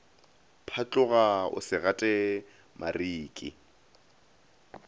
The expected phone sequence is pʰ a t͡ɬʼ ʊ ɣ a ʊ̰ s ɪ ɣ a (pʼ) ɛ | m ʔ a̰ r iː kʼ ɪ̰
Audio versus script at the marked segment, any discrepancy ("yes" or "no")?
yes